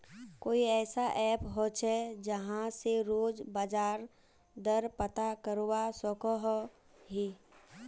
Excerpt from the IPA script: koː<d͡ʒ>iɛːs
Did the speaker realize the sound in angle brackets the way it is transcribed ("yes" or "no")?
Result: no